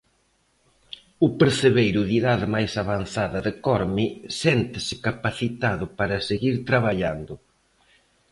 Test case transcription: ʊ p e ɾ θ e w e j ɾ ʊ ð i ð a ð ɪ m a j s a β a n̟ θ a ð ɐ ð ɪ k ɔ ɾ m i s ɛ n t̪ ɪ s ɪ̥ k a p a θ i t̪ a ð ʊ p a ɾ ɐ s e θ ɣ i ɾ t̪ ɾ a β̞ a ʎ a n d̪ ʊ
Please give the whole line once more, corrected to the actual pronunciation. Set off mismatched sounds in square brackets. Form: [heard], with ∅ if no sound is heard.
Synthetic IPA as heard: ʊ p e ɾ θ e [β] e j ɾ ʊ ð i ð a ð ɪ m a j s a β a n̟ θ a ð ɐ ð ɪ k ɔ ɾ m i s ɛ n t̪ ɪ s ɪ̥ k a p a θ i t̪ a ð ʊ p a ɾ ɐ s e [∅] ɣ i ɾ t̪ ɾ a β̞ a ʎ a n d̪ ʊ